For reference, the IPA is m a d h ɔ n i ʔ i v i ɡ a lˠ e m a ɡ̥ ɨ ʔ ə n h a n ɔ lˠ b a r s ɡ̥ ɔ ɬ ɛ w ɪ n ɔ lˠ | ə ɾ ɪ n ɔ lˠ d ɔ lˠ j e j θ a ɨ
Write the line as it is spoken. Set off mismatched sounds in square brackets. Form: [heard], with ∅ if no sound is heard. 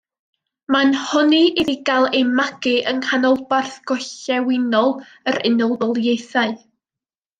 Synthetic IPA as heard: m a [n] h ɔ n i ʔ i [ð] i ɡ a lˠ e m a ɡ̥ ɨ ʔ ə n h a n ɔ lˠ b a r [θ] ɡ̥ ɔ ɬ ɛ w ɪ n ɔ lˠ | ə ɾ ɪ n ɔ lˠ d ɔ lˠ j e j θ a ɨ